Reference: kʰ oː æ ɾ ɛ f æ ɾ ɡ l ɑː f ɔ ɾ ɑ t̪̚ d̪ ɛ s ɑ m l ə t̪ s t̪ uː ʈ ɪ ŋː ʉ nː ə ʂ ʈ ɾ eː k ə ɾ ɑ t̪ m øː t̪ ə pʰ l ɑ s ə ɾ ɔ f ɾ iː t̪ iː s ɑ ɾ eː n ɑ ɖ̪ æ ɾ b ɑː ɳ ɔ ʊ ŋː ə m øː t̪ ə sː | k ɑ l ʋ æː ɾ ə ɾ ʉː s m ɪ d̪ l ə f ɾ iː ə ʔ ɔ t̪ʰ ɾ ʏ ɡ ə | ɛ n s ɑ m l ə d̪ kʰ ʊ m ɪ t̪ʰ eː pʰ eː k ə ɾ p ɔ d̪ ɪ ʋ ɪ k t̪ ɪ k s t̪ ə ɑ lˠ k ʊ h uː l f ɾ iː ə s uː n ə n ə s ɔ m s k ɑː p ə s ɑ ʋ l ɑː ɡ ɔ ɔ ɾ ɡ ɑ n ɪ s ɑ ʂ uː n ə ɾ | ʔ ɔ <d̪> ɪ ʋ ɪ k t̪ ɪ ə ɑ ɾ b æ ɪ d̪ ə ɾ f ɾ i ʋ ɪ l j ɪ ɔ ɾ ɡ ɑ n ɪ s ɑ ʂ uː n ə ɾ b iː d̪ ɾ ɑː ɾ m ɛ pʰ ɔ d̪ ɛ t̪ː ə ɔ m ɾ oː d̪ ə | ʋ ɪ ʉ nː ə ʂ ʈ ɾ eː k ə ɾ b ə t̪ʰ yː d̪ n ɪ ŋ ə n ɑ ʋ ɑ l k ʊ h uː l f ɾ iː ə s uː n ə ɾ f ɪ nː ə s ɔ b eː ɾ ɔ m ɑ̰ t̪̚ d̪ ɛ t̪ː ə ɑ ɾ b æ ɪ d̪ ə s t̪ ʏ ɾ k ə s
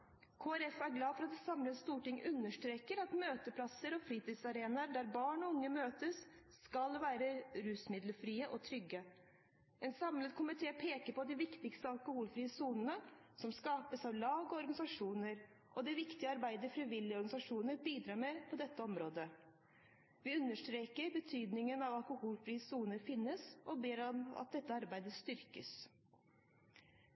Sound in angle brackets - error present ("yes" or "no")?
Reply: no